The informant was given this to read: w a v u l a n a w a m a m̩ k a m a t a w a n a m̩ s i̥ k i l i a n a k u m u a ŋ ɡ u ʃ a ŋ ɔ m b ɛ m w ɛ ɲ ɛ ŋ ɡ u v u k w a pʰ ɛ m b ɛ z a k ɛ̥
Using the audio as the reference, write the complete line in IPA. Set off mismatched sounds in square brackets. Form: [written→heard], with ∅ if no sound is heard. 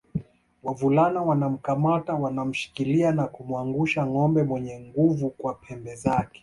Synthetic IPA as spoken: w a v u l a n a w a [m→n] a m̩ k a m a t a w a n a m̩ [s→ʃ] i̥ k i l i a n a k u m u a ŋ ɡ u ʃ a ŋ ɔ m b ɛ m w ɛ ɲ ɛ ŋ ɡ u v u k w a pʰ ɛ m b ɛ z a k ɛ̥